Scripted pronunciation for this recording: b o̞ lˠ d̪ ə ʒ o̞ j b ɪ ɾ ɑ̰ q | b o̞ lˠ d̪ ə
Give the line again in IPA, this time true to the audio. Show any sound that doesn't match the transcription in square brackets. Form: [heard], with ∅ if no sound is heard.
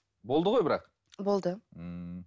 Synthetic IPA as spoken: b o̞ lˠ d̪ ə [ʁ] o̞ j b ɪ ɾ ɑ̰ q | b o̞ lˠ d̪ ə

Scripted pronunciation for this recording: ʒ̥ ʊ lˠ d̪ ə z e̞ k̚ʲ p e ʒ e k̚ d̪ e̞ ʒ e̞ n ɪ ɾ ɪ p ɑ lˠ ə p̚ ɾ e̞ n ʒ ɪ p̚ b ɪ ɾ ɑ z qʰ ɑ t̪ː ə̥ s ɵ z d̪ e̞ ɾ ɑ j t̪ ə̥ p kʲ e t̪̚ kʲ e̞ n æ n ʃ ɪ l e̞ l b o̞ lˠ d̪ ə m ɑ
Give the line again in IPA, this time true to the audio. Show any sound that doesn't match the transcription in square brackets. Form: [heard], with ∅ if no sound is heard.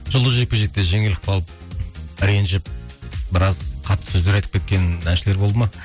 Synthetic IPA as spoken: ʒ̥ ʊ lˠ d̪ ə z e̞ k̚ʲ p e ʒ e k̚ [t̪] e̞ ʒ e̞ [ŋ] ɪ [l] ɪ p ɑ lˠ ə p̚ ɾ e̞ n ʒ ɪ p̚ b ɪ ɾ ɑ z qʰ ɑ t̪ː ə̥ s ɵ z d̪ e̞ ɾ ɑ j t̪ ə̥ p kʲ e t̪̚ kʲ e̞ n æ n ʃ ɪ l e̞ [ɾ] b o̞ lˠ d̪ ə m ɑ

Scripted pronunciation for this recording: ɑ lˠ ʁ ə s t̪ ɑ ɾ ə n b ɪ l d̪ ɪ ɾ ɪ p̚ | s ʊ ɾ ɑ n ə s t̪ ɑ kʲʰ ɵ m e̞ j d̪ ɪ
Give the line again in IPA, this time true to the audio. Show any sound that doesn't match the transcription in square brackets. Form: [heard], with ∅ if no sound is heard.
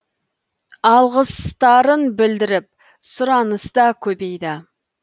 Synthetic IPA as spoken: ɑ lˠ ʁ ə s t̪ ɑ ɾ ə n b ɪ l d̪ ɪ ɾ ɪ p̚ | s ʊ ɾ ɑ n ə s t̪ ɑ kʲʰ ɵ [b] e̞ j d̪ ɪ

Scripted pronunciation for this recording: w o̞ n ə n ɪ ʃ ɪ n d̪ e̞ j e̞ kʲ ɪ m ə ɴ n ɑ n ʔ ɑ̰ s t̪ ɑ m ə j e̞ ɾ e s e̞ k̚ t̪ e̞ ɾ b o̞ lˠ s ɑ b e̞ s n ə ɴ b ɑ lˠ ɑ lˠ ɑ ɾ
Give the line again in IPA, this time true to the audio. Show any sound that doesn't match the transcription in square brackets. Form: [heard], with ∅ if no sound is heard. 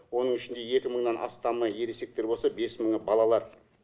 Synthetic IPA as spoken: w o̞ n ə [ɴ] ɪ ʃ ɪ n d̪ e̞ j e̞ kʲ ɪ m ə ɴ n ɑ n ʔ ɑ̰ s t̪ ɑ m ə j e̞ ɾ e s e̞ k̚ t̪ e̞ ɾ b o̞ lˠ s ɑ b e̞ s [m] ə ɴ b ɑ lˠ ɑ lˠ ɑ ɾ

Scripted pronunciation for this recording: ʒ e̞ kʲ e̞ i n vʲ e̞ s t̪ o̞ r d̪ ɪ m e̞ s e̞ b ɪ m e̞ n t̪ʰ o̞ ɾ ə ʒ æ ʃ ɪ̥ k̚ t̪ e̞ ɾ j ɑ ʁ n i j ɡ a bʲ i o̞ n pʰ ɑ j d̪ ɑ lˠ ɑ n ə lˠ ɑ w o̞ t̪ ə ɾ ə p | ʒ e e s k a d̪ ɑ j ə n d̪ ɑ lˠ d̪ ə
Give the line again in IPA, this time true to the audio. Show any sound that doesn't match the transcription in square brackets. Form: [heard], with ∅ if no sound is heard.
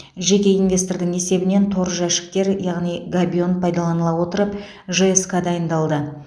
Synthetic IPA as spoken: ʒ e̞ kʲ e̞ i n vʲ e̞ s t̪ o̞ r d̪ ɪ [ŋ] e̞ s e̞ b ɪ [n] e̞ n t̪ʰ o̞ ɾ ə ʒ æ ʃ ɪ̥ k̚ t̪ e̞ ɾ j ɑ ʁ n i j ɡ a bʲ i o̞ n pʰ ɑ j d̪ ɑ lˠ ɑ n ə lˠ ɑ w o̞ t̪ ə ɾ ə p | ʒ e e s k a d̪ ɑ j ə n d̪ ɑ lˠ d̪ ə

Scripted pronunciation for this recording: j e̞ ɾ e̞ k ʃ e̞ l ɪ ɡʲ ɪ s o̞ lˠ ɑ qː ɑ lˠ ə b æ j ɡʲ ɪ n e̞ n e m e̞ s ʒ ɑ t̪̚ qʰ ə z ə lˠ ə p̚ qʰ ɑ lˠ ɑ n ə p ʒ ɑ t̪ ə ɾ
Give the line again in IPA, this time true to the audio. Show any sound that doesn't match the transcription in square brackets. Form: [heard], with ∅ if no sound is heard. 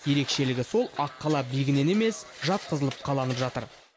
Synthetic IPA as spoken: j e̞ ɾ e̞ k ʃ e̞ l ɪ ɡʲ ɪ s o̞ lˠ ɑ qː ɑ lˠ [ɑ] b [i] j ɡʲ ɪ n e̞ n e m e̞ s ʒ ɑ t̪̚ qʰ ə z ə lˠ ə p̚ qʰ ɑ lˠ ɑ n ə p ʒ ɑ t̪ ə ɾ

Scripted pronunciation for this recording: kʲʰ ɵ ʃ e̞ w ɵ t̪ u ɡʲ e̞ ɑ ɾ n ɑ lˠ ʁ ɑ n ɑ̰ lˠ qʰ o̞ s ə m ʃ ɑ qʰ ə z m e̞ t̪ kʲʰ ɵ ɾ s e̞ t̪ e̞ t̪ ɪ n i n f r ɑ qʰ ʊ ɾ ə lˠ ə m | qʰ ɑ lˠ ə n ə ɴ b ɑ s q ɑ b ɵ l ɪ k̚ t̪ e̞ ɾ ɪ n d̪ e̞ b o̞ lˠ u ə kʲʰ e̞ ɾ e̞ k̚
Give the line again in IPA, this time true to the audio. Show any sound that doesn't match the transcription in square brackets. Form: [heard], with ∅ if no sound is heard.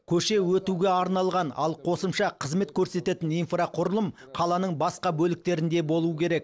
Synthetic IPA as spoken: kʲʰ ɵ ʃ e̞ w ɵ t̪ u ɡʲ e̞ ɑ ɾ n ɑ lˠ ʁ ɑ n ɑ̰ lˠ qʰ o̞ s ə m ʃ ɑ qʰ ə z m e̞ t̪ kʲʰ ɵ ɾ s e̞ t̪ e̞ t̪ ɪ n i n f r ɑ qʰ ʊ ɾ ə lˠ ə m | qʰ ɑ lˠ [ɑ] n ə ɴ b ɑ s q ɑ b ɵ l ɪ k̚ t̪ e̞ ɾ ɪ n d̪ e̞ b o̞ lˠ u ə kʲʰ e̞ ɾ e̞ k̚

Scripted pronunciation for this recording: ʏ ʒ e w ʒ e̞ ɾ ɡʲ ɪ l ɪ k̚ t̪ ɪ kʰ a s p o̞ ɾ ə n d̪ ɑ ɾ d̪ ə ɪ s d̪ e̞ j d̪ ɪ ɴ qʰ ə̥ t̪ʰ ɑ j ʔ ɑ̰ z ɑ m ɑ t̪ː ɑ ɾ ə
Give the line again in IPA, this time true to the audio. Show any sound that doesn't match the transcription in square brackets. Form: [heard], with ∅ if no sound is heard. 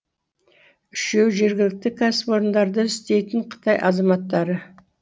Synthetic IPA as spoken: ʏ [ʃ] e w ʒ e̞ ɾ ɡʲ ɪ l ɪ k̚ t̪ ɪ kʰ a s p o̞ ɾ ə n d̪ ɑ ɾ d̪ ə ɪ s [t̪] e̞ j [t̪] ɪ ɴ qʰ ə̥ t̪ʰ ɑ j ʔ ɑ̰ z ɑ m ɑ t̪ː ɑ ɾ ə

